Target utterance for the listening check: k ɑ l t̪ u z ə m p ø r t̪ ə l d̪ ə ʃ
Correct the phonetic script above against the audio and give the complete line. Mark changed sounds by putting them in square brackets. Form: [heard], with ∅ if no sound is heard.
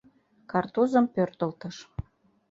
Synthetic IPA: k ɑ [r] t̪ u z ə m p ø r t̪ ə l [t̪] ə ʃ